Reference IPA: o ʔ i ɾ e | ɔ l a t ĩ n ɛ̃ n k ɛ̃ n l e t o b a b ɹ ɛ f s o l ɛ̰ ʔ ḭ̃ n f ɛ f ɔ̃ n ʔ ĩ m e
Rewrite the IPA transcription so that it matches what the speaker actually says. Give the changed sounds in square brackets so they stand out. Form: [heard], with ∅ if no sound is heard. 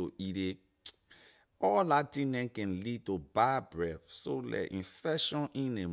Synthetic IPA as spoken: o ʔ i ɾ e | ɔ l a t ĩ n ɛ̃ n k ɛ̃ n l [i] t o b a b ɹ ɛ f s o l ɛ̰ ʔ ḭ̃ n f ɛ [ʃ] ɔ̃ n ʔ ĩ [n] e